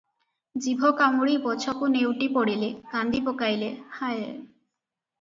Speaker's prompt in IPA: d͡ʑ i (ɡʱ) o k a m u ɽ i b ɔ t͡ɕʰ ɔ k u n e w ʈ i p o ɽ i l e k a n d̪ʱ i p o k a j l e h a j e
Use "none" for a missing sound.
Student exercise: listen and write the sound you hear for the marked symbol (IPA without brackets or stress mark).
bʱ